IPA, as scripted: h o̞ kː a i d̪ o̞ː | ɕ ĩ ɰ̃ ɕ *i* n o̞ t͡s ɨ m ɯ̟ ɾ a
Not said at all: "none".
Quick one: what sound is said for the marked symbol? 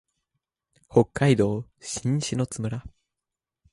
i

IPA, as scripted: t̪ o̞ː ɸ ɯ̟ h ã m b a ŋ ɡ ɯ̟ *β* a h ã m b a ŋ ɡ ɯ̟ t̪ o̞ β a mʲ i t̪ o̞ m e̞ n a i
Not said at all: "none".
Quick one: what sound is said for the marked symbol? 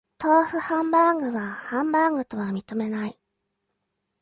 β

